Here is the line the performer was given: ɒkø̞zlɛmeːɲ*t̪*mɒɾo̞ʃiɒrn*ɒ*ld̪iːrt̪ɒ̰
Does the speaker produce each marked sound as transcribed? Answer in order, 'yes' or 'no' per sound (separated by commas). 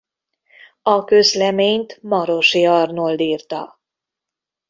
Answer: yes, no